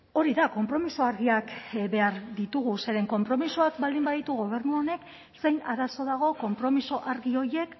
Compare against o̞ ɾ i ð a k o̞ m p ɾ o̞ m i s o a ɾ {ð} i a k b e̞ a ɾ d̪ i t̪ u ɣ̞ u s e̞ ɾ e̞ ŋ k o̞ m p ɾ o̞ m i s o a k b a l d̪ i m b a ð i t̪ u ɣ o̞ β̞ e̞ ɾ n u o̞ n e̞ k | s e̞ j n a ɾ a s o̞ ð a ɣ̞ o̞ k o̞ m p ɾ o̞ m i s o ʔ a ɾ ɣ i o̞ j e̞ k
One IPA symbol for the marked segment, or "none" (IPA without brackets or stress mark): ɣ